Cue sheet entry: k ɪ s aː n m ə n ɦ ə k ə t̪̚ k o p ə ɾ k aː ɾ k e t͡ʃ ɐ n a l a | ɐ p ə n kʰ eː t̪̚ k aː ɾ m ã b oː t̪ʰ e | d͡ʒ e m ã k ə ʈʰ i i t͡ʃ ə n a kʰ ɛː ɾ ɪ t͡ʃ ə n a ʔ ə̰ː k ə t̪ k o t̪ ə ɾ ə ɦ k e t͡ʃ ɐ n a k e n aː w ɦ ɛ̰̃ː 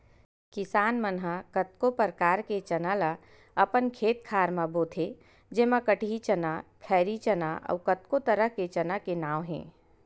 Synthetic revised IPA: k ɪ s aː n m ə n ɦ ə k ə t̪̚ k o p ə ɾ k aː ɾ k e t͡ʃ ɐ n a l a | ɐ p ə n kʰ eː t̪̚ kʰ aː ɾ m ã b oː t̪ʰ e | d͡ʒ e m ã k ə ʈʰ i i t͡ʃ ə n a kʰ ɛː ɾ i t͡ʃ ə n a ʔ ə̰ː k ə t̪ k o t̪ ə ɾ ə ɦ k e t͡ʃ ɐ n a k e n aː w ɦ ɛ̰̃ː